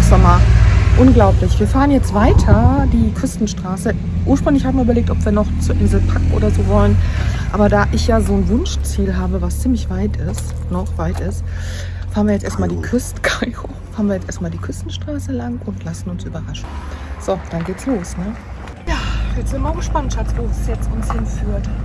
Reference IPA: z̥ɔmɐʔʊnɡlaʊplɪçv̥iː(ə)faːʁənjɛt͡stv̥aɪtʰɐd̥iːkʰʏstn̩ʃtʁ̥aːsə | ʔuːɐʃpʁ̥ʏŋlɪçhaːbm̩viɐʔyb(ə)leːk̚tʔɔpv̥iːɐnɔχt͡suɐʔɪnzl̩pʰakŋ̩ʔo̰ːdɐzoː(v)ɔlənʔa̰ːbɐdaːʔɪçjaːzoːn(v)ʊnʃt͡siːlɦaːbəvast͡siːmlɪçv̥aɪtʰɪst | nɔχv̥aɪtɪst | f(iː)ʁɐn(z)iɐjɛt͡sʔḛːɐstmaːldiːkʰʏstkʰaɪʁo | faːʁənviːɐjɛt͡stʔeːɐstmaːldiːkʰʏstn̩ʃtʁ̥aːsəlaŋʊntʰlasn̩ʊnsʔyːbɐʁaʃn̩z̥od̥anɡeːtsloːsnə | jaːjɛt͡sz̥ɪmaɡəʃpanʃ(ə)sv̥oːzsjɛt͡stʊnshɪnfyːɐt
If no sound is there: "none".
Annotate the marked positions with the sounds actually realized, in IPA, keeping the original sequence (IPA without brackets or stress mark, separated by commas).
ɐ, ɐ, v, v, aː, v, a